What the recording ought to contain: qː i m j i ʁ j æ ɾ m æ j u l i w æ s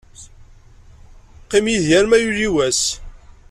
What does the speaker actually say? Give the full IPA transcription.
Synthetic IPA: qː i m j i ð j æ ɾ m æ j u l i w æ s